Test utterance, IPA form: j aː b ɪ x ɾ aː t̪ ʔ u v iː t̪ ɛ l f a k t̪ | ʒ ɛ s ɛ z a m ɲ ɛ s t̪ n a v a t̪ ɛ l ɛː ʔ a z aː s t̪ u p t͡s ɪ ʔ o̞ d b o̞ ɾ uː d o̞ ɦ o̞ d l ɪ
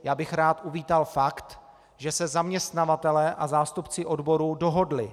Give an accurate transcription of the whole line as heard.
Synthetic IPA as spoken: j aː b ɪ x ɾ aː t̪ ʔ u v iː t̪ a l f a k t̪ | ʒ ɛ s ɛ z a m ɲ ɛ s t̪ n a v a t̪ ɛ l ɛː ʔ a z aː s t̪ u p t͡s ɪ ʔ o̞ d b o̞ ɾ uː d o̞ ɦ o̞ d l ɪ

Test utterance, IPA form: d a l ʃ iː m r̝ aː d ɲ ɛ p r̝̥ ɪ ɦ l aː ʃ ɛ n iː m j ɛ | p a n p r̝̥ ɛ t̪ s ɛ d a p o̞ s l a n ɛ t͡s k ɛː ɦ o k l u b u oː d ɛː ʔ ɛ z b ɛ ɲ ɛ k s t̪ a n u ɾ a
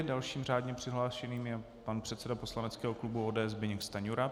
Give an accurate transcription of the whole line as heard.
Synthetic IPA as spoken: d a l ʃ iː m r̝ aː d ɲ ɛ p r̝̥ ɪ ɦ l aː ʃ ɛ n iː m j ɛ | p a n p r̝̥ ɛ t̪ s ɛ d a p o̞ s l a n ɛ t͡s k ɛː ɦ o k l u b u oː d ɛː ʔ ɛ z b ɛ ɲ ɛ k s t̪ a ɲ u ɾ a

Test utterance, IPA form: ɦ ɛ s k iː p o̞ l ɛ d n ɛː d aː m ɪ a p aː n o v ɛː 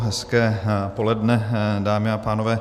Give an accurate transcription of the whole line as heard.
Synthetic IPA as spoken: ɦ ɛ s k ɛː p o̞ l ɛ d n ɛ d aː m ɪ a p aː n o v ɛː

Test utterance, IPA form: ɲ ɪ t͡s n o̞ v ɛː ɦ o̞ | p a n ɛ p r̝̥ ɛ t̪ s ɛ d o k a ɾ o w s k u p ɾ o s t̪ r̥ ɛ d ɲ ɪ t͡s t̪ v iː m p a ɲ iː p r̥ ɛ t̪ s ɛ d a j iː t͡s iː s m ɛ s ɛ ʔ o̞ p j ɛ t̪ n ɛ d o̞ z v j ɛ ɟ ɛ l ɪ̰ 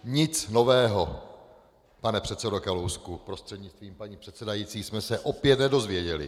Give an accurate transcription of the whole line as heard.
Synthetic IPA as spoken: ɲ ɪ t͡s n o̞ v ɛː ɦ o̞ | p a n ɛ p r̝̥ ɛ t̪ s ɛ d o k a l o w s k u p ɾ o s t̪ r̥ ɛ d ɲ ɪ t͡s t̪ v iː m p a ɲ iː p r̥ ɛ t̪ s ɛ d a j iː t͡s iː s m ɛ s ɛ ʔ o̞ p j ɛ t̪ n ɛ d o̞ z v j ɛ ɟ ɛ l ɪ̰

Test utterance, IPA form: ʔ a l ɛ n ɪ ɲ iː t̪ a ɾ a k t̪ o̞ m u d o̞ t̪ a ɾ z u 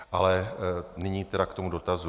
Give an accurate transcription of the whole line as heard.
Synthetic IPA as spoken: ʔ a l ɛ n ɪ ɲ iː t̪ ɛ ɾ a k t̪ o̞ m u d o̞ t̪ a z u

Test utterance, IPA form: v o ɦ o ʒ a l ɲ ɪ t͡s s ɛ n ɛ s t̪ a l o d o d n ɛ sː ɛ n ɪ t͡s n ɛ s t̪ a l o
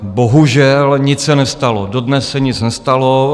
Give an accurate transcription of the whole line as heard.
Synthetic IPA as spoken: b o ɦ u ʒ ɛ l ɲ ɪ t͡s s ɛ n ɛ s t̪ a l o d o d n ɛ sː ɛ ɲ ɪ t͡s n ɛ s t̪ a l o

